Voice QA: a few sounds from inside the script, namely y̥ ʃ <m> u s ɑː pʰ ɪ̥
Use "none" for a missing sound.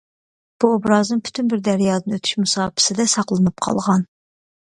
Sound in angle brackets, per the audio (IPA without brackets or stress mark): m